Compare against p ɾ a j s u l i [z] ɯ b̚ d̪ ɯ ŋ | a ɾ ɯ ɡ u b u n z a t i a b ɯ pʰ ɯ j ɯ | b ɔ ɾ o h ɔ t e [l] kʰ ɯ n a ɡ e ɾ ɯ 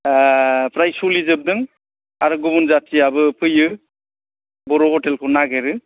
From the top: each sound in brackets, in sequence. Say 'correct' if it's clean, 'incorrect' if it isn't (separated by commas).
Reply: correct, correct